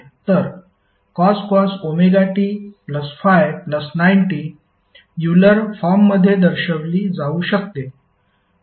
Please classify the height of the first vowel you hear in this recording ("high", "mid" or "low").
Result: mid